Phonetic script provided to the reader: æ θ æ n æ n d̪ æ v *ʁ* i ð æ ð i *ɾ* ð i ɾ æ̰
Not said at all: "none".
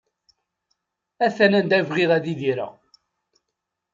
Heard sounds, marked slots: ʁ, none

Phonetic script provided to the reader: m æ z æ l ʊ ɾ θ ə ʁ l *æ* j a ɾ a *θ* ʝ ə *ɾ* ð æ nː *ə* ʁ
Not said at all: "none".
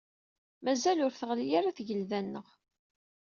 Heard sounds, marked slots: i, θ, l, ə

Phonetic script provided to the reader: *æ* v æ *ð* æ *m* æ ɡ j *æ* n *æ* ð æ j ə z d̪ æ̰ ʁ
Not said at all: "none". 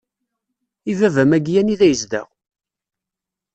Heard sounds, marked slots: i, v, m, æ, i

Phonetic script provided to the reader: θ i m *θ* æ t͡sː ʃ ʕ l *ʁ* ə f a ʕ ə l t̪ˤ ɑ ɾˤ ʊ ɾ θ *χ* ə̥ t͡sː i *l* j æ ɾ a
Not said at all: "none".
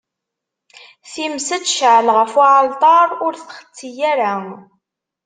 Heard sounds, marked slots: s, ʁ, χ, none

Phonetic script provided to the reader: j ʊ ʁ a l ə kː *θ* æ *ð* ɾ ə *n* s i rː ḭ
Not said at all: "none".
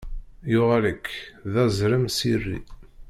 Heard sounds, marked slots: ð, z, m

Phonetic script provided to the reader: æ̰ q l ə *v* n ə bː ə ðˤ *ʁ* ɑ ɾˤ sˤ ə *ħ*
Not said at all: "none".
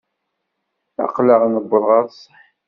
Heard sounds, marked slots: ʁ, ʁ, ħ

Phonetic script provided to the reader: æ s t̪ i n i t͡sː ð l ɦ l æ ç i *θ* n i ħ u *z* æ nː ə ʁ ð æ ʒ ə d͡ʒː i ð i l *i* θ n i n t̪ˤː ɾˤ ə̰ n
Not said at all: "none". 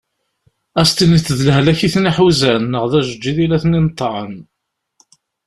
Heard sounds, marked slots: θ, z, æ

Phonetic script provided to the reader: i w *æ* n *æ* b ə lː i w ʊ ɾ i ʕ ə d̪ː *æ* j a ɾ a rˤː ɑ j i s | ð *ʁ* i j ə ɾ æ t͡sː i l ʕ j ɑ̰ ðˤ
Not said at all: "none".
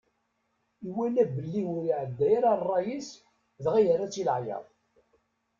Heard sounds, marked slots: æ, æ, æ, ʁ

